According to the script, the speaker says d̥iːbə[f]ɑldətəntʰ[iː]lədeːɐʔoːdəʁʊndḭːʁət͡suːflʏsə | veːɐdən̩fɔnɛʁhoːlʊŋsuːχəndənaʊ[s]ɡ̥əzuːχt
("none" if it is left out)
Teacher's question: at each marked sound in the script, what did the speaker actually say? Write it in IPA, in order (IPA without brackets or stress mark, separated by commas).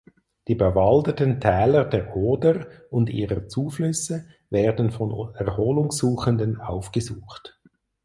v, ɛː, f